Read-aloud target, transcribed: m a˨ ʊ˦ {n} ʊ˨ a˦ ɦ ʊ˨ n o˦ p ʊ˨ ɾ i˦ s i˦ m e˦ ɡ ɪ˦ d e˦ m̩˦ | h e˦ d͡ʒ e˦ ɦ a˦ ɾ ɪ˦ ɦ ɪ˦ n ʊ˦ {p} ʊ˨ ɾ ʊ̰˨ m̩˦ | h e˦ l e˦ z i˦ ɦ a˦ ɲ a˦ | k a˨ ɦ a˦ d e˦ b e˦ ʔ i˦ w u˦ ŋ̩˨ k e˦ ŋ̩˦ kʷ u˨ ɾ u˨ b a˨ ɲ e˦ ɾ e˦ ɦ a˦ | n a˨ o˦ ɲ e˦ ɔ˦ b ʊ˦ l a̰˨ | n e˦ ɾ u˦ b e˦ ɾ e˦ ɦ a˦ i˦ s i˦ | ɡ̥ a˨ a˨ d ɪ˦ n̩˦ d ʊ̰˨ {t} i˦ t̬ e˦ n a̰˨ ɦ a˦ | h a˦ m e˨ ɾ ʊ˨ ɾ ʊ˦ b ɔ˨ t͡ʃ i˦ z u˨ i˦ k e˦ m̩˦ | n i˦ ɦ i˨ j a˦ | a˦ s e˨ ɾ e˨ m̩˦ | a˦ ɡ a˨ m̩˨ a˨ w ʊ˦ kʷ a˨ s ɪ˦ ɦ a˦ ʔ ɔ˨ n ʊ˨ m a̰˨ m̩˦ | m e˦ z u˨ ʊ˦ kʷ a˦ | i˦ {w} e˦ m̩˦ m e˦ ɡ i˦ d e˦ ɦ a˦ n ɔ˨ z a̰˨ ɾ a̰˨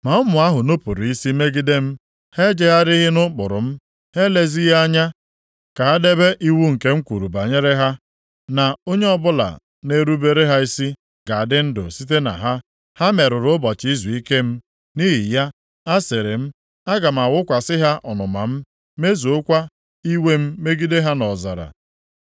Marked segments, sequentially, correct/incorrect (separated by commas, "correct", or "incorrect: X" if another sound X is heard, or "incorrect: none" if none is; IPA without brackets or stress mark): incorrect: m, incorrect: k͡p, incorrect: s, correct